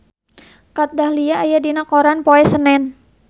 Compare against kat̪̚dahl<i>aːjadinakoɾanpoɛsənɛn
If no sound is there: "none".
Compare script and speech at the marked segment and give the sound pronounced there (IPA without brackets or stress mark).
i